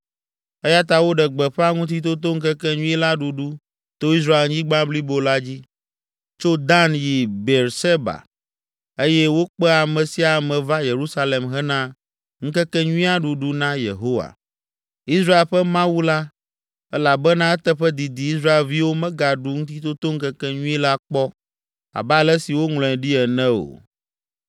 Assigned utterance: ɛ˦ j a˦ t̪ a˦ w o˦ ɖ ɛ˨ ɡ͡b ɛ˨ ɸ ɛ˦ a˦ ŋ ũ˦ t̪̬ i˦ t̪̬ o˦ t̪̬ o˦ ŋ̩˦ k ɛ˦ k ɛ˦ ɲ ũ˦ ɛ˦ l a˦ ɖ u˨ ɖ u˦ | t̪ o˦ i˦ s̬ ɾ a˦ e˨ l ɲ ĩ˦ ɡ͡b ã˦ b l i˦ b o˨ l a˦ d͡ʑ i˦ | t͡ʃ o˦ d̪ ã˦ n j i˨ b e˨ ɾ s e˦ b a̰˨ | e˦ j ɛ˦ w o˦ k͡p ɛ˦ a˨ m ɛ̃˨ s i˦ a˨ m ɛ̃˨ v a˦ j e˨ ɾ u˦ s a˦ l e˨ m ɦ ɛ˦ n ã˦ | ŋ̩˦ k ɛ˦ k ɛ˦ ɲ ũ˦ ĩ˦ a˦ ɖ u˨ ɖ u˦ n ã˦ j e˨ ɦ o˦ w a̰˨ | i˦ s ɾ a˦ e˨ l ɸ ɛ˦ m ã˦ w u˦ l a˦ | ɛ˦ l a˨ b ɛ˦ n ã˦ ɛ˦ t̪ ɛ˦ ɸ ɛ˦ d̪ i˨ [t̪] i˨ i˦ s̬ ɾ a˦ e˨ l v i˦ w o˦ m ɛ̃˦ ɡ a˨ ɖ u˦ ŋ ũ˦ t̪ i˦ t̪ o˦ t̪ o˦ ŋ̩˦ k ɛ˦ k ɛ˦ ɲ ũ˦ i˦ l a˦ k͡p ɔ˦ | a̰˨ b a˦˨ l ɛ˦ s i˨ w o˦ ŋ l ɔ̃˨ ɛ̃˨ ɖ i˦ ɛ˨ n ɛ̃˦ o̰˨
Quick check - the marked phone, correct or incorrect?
incorrect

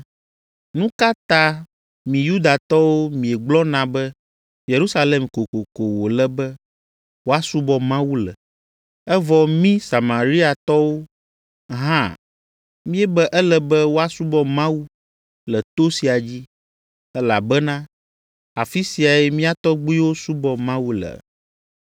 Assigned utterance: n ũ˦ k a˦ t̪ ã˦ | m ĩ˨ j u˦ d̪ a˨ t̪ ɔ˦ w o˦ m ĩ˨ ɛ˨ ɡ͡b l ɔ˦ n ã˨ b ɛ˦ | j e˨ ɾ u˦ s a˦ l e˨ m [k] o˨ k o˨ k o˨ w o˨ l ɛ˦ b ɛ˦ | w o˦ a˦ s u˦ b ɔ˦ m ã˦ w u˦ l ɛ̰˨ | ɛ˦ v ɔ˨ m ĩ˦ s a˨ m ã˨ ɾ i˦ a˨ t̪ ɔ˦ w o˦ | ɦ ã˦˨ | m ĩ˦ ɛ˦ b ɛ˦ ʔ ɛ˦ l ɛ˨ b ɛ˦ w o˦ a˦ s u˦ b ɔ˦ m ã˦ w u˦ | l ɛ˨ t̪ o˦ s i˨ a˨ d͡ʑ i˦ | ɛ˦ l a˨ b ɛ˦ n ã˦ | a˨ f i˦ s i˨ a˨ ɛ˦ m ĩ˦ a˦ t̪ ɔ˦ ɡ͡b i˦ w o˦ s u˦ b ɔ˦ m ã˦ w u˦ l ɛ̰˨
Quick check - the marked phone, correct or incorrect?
correct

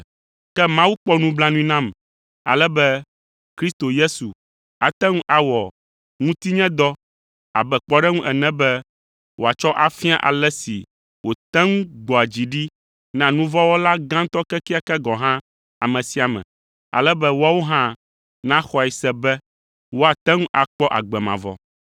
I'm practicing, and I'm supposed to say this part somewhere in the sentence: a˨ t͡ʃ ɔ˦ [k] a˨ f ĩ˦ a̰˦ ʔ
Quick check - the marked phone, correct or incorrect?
incorrect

